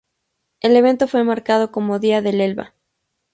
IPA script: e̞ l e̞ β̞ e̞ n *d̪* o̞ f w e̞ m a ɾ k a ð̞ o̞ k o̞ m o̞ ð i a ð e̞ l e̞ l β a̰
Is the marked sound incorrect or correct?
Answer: incorrect: t̪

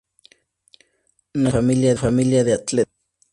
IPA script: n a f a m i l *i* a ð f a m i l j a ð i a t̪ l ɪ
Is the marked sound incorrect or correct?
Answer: incorrect: j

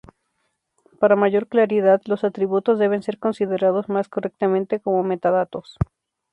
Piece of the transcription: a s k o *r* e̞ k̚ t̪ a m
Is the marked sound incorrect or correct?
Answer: correct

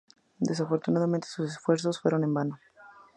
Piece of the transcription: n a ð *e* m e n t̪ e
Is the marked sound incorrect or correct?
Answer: incorrect: a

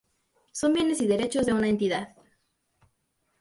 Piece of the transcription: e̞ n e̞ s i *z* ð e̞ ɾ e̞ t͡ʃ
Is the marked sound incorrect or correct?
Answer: incorrect: none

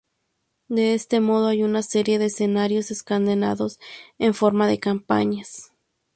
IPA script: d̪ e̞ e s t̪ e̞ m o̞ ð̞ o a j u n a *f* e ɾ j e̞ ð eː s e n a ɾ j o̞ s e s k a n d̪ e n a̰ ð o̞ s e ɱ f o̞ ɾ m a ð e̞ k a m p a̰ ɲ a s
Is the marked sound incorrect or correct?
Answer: incorrect: s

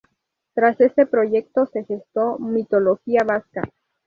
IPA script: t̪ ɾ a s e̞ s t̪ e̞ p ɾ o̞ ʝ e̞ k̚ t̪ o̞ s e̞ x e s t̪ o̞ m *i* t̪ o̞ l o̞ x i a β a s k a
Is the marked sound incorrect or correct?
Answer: correct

